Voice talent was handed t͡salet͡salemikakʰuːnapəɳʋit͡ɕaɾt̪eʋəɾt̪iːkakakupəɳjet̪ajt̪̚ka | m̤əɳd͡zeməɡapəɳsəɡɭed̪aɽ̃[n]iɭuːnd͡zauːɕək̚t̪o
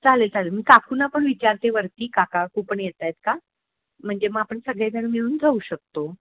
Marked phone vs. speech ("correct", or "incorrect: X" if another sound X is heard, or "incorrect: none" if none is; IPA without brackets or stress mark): incorrect: m